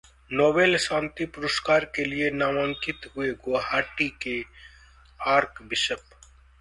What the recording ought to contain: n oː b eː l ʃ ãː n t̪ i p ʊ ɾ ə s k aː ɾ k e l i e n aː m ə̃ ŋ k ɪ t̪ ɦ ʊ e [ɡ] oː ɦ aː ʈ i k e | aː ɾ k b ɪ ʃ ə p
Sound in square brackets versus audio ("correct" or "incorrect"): correct